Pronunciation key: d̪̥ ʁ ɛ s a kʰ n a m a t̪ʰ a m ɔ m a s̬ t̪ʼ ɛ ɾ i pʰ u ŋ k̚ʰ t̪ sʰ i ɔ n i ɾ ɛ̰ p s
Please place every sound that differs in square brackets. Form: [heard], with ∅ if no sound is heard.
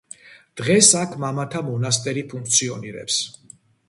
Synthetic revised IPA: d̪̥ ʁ ɛ s a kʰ [m] a m a t̪ʰ a m ɔ [n] a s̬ t̪ʼ ɛ ɾ i pʰ u ŋ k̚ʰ t̪ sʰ i ɔ n i ɾ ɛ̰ p s